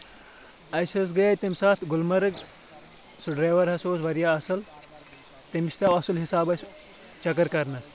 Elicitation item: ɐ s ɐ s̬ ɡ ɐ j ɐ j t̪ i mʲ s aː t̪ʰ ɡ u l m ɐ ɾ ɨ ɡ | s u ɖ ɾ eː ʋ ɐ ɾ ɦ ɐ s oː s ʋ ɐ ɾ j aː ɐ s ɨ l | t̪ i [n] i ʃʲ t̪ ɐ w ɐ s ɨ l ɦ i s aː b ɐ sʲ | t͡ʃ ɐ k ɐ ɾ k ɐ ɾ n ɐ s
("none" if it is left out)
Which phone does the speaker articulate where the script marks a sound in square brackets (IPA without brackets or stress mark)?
m